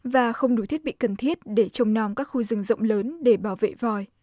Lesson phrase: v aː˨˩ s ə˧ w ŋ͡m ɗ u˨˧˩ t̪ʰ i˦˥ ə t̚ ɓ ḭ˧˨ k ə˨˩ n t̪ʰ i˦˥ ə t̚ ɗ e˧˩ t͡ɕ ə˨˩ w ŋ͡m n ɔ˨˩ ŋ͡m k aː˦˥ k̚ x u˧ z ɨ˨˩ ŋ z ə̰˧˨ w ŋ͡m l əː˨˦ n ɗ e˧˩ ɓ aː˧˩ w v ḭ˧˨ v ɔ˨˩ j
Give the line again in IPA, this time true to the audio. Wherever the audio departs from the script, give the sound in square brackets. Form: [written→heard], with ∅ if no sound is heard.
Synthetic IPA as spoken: v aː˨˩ [s→x] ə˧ w ŋ͡m ɗ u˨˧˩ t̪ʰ i˦˥ ə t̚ ɓ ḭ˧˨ k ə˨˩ n t̪ʰ i˦˥ ə t̚ ɗ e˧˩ t͡ɕ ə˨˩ w ŋ͡m n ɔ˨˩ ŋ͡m k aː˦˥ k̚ x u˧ z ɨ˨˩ ŋ z ə̰˧˨ w ŋ͡m l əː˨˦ n ɗ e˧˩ ɓ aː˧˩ w v [ḭ˧˨→ḛ˧˨] v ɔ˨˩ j